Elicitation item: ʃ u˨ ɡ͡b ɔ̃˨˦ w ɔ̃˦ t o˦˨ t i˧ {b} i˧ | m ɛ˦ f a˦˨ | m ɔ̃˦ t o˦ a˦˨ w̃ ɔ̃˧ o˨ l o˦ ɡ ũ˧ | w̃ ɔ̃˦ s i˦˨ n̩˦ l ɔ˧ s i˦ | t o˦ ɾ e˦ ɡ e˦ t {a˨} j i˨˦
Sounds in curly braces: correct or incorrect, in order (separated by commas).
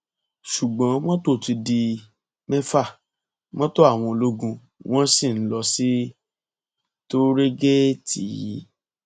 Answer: incorrect, incorrect